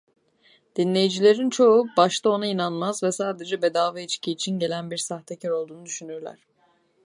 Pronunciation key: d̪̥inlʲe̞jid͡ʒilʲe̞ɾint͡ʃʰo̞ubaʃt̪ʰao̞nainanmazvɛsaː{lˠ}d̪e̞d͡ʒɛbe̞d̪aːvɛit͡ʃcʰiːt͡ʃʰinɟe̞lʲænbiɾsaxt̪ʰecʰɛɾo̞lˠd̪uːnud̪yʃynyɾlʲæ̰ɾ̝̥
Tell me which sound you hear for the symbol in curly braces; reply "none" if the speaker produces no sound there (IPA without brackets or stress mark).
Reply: none